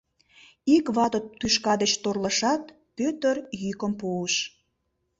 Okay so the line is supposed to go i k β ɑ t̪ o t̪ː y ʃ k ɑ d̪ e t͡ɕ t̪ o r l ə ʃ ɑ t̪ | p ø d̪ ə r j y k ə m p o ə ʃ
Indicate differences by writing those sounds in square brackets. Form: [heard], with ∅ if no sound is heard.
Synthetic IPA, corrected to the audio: i k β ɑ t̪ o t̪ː y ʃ k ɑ d̪ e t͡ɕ t̪ o r l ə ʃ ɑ t̪ | p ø [t̪] ə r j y k ə m p o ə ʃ